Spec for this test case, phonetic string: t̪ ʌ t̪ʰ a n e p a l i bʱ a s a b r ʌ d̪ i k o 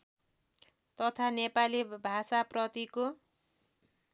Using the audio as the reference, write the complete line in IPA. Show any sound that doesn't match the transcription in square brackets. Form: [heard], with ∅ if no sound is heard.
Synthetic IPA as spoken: t̪ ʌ t̪ʰ a n e p a l i bʱ a s a [p] r ʌ [t̪] i k o

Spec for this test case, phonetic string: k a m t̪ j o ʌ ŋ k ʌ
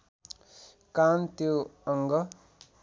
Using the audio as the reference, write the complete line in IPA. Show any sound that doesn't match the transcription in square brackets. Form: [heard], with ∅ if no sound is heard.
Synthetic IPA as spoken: k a [n] t̪ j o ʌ ŋ [ɡ] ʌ

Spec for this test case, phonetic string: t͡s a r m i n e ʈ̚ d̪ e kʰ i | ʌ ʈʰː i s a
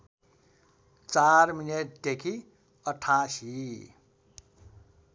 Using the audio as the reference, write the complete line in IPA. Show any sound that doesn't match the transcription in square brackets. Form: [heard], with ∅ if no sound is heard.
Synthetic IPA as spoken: t͡s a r m i n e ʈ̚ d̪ e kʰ i | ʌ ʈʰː [a] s [i]

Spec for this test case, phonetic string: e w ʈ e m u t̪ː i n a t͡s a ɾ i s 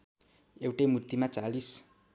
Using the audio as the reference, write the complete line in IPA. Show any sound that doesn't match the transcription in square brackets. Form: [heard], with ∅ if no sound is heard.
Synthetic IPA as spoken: e w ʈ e m u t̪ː i [m] a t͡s a [l] i s

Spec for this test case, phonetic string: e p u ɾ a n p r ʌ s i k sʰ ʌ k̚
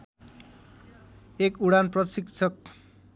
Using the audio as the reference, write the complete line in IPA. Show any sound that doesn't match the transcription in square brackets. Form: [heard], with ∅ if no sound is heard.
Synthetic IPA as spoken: e [k] u [ɽ] a n p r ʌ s i k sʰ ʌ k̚

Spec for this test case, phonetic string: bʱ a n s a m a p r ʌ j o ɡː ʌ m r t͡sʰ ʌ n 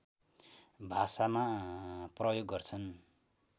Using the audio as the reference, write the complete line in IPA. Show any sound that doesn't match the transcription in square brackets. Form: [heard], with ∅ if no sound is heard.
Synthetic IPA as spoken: bʱ a [∅] s a m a p r ʌ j o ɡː ʌ [∅] r t͡sʰ ʌ n

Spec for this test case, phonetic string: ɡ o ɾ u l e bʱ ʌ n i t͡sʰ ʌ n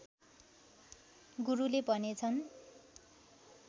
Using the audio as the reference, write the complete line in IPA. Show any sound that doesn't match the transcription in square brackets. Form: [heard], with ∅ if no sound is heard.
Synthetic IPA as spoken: ɡ [u] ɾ u l e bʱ ʌ n [e] t͡sʰ ʌ n

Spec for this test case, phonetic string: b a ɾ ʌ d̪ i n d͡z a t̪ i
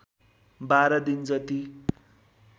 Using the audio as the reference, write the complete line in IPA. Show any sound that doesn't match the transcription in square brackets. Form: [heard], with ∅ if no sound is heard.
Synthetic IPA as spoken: b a ɾ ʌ d̪ i n d͡z [ʌ] t̪ i

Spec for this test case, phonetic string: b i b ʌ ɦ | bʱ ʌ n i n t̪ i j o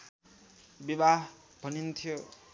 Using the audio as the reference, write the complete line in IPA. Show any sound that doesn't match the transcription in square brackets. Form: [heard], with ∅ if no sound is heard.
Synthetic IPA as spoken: b i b [a] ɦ | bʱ ʌ n i n [t̪ʰ] i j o

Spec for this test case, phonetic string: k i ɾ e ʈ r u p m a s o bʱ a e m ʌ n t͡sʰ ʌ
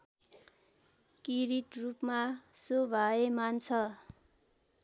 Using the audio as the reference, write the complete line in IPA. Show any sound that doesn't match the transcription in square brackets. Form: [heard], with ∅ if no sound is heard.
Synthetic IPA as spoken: k i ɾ [i] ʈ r u p m a s o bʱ a e m [a] n t͡sʰ ʌ

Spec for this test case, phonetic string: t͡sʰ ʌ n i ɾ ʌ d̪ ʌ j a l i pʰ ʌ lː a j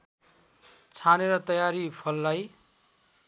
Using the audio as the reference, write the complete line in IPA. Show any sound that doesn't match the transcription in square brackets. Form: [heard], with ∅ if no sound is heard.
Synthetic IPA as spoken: t͡sʰ [a] n [e] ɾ ʌ [t̪] ʌ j a [ɾ] i pʰ ʌ lː a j

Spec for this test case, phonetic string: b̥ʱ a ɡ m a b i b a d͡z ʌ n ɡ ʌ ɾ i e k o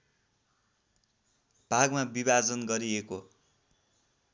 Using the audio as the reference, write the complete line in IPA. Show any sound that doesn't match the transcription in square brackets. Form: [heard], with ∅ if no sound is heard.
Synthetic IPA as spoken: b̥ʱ a ɡ m a b i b a d͡z ʌ n ɡ ʌ ɾ i e k o

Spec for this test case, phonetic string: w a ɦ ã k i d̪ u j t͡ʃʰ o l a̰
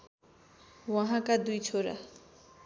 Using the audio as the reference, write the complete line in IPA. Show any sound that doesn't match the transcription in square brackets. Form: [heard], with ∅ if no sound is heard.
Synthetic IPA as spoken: w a ɦ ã k [a] d̪ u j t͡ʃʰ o [ɾ] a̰

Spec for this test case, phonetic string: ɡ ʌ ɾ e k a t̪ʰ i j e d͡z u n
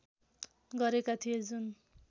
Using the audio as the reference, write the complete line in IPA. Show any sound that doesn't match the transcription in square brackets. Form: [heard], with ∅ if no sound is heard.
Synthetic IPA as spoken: ɡ ʌ ɾ e k a t̪ʰ i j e d͡z u n

